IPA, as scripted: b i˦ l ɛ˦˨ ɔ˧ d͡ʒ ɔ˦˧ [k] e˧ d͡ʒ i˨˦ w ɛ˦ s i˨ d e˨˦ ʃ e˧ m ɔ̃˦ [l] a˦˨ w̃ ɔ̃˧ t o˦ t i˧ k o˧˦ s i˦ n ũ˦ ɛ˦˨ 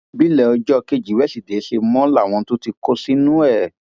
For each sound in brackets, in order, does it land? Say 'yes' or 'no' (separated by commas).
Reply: yes, yes